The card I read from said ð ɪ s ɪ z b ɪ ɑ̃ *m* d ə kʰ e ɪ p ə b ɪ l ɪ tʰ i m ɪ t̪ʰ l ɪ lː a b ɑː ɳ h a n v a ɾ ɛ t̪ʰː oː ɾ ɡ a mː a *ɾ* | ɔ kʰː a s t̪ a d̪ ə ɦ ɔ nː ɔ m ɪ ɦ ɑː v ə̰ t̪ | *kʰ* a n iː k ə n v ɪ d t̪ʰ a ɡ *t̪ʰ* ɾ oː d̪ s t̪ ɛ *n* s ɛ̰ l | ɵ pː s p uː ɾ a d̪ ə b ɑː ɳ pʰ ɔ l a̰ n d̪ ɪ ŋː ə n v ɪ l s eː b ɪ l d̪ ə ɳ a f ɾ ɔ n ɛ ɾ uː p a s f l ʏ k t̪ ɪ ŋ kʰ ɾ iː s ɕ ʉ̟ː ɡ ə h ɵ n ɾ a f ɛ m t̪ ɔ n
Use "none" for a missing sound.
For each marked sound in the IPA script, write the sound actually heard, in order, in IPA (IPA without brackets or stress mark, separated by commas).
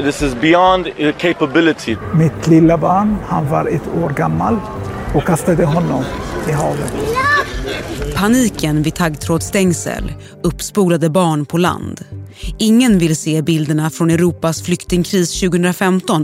n, l, pʰ, t̪ʰ, ŋ